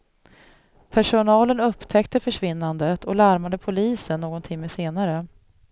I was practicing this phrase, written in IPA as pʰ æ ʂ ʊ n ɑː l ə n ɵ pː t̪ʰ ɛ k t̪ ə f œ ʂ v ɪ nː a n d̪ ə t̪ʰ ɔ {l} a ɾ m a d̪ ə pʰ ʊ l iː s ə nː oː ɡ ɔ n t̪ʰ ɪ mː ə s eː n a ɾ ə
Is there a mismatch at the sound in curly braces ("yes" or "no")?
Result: no